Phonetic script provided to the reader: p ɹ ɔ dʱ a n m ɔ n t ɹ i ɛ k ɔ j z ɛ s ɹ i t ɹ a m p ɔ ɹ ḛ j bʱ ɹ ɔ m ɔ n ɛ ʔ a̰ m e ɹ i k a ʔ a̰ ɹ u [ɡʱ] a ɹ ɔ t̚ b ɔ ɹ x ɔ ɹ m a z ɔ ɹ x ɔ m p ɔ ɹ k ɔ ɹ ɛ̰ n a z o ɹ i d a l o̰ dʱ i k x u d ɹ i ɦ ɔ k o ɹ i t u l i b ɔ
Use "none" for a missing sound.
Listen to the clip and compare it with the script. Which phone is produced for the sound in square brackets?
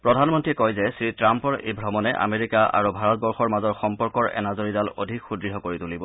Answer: bʱ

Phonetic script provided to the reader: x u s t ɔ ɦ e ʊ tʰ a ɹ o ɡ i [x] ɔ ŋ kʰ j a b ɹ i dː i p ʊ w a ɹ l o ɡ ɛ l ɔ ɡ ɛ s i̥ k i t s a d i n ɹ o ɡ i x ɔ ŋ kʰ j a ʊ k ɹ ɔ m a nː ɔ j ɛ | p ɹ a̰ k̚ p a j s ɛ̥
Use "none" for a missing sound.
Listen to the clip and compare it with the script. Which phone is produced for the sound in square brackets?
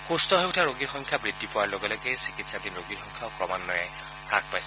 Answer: x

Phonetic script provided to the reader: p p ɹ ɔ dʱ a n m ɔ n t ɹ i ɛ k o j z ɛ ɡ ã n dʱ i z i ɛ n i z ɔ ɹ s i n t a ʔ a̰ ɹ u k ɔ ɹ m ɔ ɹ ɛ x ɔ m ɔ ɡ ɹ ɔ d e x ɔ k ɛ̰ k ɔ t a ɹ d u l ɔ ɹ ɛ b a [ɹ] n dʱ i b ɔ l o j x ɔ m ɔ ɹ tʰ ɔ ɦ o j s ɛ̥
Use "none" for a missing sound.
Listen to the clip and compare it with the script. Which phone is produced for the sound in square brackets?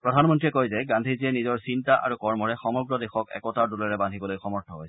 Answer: none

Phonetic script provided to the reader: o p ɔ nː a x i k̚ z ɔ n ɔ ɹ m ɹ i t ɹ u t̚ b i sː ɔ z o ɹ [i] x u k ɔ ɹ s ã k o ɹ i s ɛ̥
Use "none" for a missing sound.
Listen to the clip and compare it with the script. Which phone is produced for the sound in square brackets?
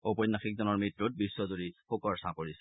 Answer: i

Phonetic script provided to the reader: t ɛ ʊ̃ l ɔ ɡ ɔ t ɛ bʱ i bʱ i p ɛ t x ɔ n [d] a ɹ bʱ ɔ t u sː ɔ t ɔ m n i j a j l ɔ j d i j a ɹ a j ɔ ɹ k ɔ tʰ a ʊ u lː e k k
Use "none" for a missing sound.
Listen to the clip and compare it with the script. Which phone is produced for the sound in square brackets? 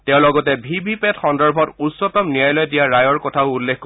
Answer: d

